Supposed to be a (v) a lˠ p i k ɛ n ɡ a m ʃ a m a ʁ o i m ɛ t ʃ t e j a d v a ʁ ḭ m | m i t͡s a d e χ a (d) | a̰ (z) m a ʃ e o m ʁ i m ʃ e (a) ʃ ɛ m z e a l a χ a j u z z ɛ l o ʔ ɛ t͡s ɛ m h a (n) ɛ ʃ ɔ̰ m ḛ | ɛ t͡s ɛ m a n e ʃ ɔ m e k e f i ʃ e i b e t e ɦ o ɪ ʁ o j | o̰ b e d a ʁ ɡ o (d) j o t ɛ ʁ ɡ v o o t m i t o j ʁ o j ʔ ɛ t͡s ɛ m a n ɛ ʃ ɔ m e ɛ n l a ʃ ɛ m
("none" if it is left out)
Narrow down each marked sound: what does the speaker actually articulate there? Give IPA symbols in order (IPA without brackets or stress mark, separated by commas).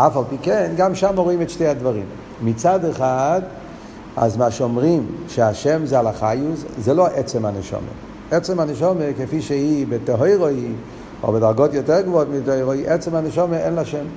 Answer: f, d, z, a, n, t